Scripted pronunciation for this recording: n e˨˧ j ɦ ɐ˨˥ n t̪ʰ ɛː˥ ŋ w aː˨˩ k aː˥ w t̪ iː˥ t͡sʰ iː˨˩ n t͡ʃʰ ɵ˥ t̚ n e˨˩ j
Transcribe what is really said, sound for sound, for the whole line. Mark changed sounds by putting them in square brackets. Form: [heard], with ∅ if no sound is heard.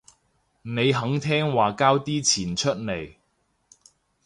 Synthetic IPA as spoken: n e˨˧ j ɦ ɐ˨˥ [ŋ] t̪ʰ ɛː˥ ŋ w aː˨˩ k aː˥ w t̪ iː˥ t͡sʰ iː˨˩ n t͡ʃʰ ɵ˥ t̚ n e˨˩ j